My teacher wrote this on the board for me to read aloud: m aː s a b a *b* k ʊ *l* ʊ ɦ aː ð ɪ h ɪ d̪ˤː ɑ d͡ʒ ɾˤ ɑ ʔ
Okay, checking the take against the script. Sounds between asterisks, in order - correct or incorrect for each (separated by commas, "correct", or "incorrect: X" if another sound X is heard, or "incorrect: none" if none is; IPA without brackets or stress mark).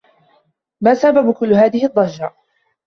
correct, incorrect: lː